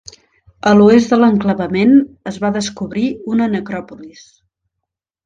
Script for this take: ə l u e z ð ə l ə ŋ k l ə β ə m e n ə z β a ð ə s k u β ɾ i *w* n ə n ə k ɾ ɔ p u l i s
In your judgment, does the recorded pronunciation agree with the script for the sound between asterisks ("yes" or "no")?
no